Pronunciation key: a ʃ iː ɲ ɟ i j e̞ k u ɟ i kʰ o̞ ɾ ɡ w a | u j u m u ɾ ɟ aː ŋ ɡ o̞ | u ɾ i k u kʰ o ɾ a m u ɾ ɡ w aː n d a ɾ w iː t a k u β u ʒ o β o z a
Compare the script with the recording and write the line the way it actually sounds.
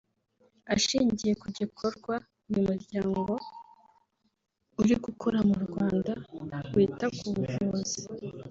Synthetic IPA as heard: a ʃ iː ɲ ɟ i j e̞ k u ɟ i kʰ o̞ ɾ ɡ w a | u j u m u ɾ ɟ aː ŋ ɡ o̞ | u ɾ i ɡ u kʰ o ɾ a m u ɾ ɡ w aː n d a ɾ w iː t a k u β u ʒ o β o z i